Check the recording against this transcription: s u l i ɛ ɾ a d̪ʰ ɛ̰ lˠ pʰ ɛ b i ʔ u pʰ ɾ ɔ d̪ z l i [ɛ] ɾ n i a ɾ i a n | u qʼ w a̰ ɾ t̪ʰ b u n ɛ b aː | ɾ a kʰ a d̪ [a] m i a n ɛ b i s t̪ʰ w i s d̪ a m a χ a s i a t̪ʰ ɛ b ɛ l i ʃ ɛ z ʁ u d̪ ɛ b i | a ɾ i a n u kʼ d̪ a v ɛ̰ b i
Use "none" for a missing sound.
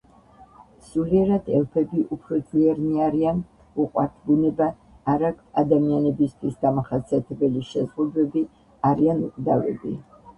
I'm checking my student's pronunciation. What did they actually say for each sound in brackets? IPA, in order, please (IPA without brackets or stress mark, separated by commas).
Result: ɛ, a